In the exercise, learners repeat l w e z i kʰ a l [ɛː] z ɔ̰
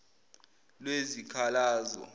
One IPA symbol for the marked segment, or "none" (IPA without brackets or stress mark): aː